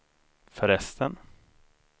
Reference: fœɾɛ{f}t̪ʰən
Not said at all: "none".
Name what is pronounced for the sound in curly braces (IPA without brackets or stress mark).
s